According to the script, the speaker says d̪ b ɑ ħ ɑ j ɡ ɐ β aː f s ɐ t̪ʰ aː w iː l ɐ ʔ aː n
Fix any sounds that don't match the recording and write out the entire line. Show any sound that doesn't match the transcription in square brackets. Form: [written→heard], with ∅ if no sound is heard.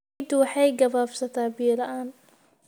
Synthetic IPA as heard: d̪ [b→w] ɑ ħ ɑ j ɡ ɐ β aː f s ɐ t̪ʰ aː [w→b] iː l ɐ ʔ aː n